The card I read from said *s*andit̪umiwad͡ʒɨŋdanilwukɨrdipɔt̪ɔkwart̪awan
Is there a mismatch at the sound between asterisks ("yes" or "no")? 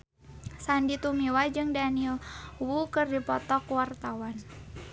no